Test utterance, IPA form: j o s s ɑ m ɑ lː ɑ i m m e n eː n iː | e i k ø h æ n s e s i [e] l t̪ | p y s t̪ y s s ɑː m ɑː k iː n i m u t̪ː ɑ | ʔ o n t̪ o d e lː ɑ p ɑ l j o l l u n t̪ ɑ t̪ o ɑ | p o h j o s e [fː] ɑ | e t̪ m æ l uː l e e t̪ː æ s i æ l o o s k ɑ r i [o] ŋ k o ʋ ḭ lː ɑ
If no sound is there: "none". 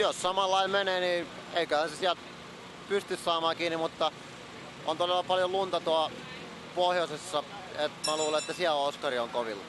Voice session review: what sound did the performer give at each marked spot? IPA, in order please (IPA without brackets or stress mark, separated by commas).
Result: æ, sː, o